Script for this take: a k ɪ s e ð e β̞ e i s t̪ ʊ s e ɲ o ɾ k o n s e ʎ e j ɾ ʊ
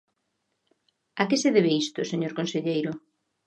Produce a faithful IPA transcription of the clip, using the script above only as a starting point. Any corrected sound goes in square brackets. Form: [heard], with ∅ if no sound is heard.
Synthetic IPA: a k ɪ s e ð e β̞ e i s t̪ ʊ s e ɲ o ɾ k o n s e ʎ e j ɾ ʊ